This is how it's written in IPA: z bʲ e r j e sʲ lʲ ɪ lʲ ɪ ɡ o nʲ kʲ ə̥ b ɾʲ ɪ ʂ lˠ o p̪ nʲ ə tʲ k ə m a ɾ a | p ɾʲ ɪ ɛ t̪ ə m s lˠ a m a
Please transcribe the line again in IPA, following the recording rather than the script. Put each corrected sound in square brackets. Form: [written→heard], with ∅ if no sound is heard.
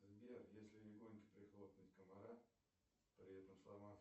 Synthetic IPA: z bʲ e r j e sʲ lʲ ɪ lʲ ɪ ɡ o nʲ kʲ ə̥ [b→p] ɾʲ ɪ [ʂ→x] lˠ o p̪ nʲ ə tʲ k ə m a ɾ a | p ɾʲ ɪ ɛ t̪ ə m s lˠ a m a

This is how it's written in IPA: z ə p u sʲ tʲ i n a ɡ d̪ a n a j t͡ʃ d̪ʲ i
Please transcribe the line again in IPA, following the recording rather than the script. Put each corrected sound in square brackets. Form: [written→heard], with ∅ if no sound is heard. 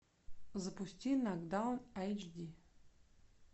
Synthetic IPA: z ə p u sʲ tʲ i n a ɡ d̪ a n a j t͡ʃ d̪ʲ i

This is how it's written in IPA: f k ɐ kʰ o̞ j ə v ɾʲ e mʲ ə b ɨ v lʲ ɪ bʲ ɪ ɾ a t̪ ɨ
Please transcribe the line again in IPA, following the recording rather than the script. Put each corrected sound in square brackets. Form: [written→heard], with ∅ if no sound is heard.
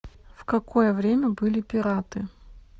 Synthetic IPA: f k ɐ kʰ o̞ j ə v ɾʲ e mʲ ə b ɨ [v→∅] lʲ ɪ [bʲ→pʲ] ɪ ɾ a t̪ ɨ

